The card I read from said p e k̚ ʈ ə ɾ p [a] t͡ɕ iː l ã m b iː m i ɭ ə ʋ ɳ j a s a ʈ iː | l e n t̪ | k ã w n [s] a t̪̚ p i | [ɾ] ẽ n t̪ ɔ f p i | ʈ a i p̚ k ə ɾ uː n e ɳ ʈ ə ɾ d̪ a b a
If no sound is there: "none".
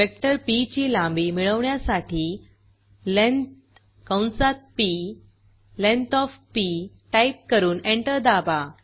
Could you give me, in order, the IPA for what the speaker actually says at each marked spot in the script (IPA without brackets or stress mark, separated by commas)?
i, s, l